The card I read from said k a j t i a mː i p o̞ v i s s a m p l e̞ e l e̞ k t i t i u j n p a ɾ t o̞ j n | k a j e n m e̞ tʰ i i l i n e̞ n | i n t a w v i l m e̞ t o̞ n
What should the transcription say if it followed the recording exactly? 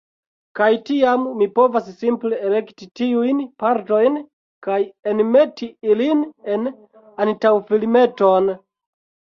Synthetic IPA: k a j t i a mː i p o̞ v a s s i m p l e̞ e l e̞ k t i t i u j n p a ɾ t o̞ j n | k a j e n m e̞ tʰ i i l i n e̞ n | a n t a w f i l m e̞ t o̞ n

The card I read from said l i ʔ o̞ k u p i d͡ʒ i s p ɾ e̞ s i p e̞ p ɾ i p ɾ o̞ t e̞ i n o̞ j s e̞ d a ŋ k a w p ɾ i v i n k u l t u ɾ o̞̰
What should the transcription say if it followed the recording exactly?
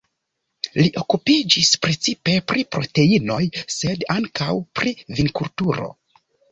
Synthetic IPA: l i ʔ o̞ k u p i d͡ʒ i s p ɾ e̞ t͡s i p e̞ p ɾ i p ɾ o̞ t e̞ i n o̞ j s e̞ d a ŋ k a w p ɾ i v i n k u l t u ɾ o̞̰

